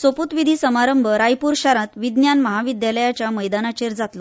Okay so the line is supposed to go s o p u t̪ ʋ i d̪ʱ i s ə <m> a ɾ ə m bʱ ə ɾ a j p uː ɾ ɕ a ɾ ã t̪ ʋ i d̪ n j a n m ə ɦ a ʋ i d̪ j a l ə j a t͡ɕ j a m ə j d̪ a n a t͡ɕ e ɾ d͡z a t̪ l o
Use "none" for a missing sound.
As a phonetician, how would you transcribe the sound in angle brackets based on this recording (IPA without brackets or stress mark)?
m